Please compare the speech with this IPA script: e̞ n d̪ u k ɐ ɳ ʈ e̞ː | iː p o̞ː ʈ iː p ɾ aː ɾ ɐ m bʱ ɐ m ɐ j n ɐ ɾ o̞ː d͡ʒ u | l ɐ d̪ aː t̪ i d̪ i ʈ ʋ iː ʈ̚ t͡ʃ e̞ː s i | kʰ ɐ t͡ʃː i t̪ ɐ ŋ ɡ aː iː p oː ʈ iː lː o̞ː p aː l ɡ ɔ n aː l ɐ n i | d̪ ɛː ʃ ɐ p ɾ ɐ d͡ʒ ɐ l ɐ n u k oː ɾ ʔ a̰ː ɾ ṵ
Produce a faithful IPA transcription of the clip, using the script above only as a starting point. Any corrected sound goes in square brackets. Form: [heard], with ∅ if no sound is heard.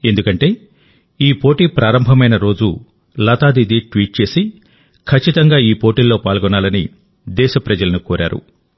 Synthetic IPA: e̞ n d̪ u k ɐ ɳ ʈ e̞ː | iː p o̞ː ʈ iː p ɾ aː ɾ ɐ m bʱ ɐ m ɐ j n ɐ ɾ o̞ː d͡ʒ u | l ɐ [t̪] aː [d̪] i d̪ i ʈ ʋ iː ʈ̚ t͡ʃ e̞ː s i | kʰ ɐ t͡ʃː i t̪ ɐ ŋ ɡ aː iː p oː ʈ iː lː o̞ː p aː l ɡ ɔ n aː l ɐ n i | d̪ ɛː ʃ ɐ p ɾ ɐ d͡ʒ ɐ l ɐ n u k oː ɾ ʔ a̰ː ɾ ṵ

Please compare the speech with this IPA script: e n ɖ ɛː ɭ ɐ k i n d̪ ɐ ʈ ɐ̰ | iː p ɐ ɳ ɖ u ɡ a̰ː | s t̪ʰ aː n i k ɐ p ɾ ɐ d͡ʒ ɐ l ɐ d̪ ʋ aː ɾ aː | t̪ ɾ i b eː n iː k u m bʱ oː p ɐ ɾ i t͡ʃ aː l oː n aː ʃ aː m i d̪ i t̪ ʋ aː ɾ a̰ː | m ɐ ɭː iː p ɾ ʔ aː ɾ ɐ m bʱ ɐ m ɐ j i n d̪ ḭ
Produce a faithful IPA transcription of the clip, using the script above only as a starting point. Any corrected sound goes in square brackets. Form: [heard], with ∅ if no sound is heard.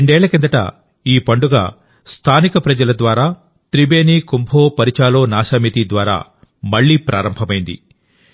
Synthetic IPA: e [ɳ] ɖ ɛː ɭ ɐ k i n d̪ ɐ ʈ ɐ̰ | iː p ɐ ɳ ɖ u ɡ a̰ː | s t̪ʰ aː n i k ɐ p ɾ ɐ d͡ʒ ɐ l ɐ d̪ ʋ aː ɾ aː | t̪ ɾ i b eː n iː k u m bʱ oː p ɐ ɾ i t͡ʃ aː l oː n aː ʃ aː m i [t̪] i [d̪] ʋ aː ɾ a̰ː | m ɐ ɭː iː p ɾ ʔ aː ɾ ɐ m bʱ ɐ m ɐ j i n d̪ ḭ

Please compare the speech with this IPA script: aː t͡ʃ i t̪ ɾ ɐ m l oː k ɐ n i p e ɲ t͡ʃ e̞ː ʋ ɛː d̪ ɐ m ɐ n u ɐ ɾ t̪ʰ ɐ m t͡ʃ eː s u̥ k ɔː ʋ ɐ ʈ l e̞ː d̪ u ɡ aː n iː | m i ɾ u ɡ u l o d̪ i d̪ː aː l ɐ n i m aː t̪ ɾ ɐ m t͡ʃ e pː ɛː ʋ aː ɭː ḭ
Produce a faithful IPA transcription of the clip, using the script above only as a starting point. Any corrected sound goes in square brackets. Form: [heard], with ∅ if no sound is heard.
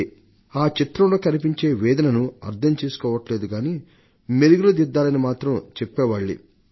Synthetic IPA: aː t͡ʃ i t̪ ɾ ɐ m l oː k ɐ n i p [i] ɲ t͡ʃ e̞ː ʋ ɛː d̪ ɐ [n] ɐ n u ɐ ɾ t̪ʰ ɐ m t͡ʃ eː s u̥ k ɔː ʋ ɐ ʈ l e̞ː d̪ u ɡ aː n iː | m [e] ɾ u ɡ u l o d̪ i d̪ː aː l ɐ n i m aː t̪ ɾ ɐ m t͡ʃ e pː ɛː ʋ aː ɭː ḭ

